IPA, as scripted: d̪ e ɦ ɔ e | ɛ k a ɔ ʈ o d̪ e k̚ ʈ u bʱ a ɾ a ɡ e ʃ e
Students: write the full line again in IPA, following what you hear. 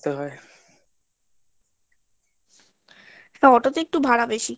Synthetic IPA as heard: t̪ e ɦ ɔ e | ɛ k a ɔ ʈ o t̪ e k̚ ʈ u bʱ a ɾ a b e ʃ i